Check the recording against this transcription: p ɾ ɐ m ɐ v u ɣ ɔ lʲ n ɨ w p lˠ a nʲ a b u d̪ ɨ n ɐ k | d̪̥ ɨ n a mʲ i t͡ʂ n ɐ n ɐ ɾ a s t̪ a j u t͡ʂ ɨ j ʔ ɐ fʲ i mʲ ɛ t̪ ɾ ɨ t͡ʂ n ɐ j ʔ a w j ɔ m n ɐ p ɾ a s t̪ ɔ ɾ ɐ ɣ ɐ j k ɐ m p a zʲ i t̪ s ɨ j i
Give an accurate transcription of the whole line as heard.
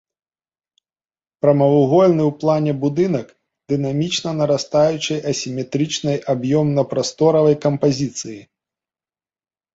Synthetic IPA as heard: p ɾ ɐ m ɐ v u ɣ ɔ lʲ n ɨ w p lˠ a nʲ ɛ b u d̪ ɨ n ɐ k | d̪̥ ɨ n a mʲ i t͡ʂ n ɐ n ɐ ɾ a s t̪ a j u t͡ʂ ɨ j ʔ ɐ sʲ i mʲ ɛ t̪ ɾ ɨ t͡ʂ n ɐ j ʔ a b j ɔ m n ɐ p ɾ a s t̪ ɔ ɾ ɐ v ɐ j k ɐ m p a zʲ i t̪ s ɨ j i